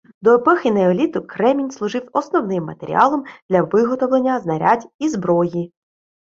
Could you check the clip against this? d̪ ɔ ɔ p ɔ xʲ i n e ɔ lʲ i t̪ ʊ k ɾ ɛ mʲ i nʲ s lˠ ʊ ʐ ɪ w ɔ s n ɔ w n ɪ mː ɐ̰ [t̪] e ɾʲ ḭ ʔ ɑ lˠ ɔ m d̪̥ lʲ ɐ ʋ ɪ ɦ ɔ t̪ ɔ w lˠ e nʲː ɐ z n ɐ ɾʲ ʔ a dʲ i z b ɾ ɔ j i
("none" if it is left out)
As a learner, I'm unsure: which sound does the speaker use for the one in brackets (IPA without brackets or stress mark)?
t̪